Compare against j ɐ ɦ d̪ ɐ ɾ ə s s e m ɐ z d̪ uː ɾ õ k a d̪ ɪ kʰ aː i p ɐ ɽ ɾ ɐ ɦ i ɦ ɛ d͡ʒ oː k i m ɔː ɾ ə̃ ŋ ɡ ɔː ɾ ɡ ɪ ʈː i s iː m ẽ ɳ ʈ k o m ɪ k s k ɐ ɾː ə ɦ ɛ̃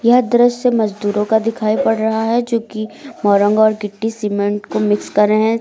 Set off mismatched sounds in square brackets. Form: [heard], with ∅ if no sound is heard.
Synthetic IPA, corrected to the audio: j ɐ ɦ d̪ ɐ ɾ ə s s e m ɐ z d̪ uː ɾ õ k a d̪ ɪ kʰ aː i p ɐ ɽ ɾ ɐ ɦ [a] ɦ ɛ d͡ʒ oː k i m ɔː ɾ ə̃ ŋ ɡ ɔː ɾ ɡ ɪ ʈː i s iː m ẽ ɳ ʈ k o m ɪ k s k ɐ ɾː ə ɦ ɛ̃